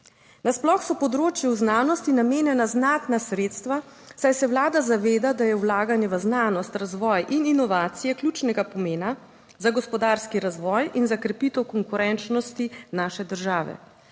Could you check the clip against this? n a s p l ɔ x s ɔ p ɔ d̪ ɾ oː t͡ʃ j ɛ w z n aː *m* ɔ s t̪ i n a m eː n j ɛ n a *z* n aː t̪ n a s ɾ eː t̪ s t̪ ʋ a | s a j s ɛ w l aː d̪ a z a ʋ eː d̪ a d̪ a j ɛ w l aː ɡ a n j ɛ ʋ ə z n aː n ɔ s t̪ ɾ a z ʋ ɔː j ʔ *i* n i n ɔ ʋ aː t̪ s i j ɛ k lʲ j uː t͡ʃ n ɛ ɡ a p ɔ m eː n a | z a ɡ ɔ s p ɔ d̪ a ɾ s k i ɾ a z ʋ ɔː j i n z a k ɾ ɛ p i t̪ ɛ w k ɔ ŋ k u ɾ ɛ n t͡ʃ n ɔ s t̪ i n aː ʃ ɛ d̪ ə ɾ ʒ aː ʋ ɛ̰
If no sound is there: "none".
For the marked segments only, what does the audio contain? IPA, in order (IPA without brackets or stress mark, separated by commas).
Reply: n, z, i